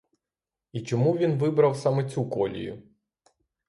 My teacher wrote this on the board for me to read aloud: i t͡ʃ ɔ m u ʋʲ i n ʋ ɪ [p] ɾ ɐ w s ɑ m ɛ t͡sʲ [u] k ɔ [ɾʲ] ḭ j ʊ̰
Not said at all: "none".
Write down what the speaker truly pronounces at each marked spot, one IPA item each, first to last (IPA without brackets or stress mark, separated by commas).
b, u, lʲ